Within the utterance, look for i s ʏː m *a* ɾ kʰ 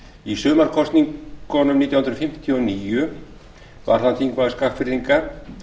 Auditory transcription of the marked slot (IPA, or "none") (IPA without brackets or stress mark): a